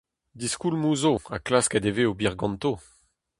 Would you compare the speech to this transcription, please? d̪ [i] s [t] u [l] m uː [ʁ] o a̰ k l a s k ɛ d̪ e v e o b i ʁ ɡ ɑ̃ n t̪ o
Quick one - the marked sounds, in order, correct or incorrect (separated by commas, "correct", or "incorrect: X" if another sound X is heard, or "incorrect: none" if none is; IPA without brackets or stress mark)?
correct, incorrect: k, correct, incorrect: z